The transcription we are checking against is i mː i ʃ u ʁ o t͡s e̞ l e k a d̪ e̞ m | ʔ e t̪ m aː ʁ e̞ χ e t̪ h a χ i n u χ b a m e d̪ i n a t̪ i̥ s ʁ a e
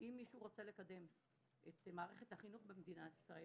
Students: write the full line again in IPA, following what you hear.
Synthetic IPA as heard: i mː i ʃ u ʁ o t͡s e̞ l e k a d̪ e̞ m | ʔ e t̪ m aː ʁ e̞ χ e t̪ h a χ i n u χ b e m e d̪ i n a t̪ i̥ s ʁ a e